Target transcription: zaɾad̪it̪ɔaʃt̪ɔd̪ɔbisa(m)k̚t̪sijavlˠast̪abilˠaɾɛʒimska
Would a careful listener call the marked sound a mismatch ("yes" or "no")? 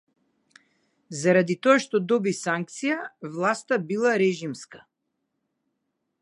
yes